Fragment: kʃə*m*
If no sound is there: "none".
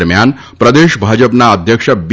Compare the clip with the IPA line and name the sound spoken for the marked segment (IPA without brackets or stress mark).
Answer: b